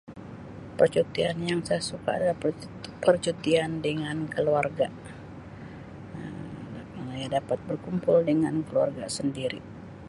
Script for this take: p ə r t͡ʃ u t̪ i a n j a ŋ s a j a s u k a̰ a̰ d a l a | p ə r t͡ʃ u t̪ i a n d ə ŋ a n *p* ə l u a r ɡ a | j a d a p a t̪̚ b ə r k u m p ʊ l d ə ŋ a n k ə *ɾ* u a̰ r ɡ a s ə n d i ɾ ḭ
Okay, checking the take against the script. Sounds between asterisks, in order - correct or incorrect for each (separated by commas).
incorrect, incorrect